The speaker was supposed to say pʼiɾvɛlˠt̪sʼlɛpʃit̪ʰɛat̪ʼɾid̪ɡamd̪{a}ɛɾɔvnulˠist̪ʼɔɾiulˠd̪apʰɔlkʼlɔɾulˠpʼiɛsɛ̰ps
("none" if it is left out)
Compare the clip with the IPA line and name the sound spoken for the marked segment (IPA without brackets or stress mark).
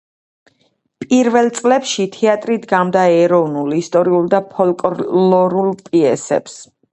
a